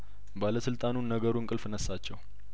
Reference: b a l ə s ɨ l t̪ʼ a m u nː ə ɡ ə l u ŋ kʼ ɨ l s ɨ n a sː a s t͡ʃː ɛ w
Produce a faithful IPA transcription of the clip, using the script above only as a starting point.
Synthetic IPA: b a l ə s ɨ l t̪ʼ a n u nː ə ɡ ə ɾ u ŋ kʼ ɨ l f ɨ n ə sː a t͡ʃː ɛ w